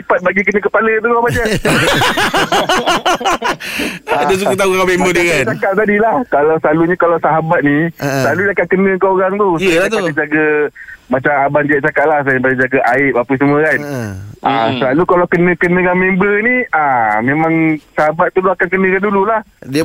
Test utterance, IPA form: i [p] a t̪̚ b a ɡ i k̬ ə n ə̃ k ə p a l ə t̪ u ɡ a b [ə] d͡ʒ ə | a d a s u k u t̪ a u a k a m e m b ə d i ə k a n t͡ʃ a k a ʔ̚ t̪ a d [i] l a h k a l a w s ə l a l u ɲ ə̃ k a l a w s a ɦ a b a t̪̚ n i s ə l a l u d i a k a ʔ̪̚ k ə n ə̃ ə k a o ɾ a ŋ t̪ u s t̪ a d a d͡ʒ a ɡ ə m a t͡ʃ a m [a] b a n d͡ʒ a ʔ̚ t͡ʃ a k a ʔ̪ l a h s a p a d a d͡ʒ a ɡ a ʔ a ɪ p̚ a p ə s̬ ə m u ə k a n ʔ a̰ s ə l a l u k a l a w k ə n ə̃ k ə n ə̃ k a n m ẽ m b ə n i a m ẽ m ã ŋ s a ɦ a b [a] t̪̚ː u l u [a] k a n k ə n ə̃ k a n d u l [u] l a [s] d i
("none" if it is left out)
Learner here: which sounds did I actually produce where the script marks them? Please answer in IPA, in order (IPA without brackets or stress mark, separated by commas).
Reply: p, a, i, a, a, a, u, h